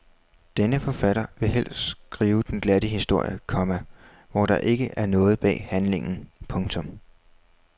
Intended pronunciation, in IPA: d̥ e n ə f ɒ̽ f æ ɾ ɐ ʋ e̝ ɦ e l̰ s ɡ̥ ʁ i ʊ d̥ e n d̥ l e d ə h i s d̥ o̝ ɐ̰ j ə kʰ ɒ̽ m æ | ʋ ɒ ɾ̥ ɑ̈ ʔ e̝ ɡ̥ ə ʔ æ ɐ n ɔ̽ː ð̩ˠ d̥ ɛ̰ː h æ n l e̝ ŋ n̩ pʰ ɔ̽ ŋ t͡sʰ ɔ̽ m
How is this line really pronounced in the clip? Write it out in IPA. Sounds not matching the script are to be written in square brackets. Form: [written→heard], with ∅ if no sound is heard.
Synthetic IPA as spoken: d̥ e n ə f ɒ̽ f æ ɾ ɐ ʋ e̝ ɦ e l̰ s ɡ̥ ʁ [i→iː] ʊ d̥ e n [d̥→ɡ̥] l [e→æ] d ə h i s d̥ o̝ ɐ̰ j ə kʰ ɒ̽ m æ | ʋ ɒ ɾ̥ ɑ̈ ʔ e̝ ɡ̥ ə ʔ æ ɐ n ɔ̽ː ð̩ˠ [d̥→b̥] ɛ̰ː h æ n l e̝ ŋ n̩ pʰ ɔ̽ ŋ t͡sʰ ɔ̽ m